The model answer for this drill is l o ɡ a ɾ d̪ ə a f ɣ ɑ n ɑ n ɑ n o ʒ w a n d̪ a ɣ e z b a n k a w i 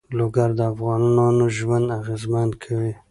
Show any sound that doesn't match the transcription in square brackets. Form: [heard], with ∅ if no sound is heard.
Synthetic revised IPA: l o ɡ a ɾ d̪ ə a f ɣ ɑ n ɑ n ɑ n o ʒ w a n d̪ a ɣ e z [m] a n [kʰ] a w i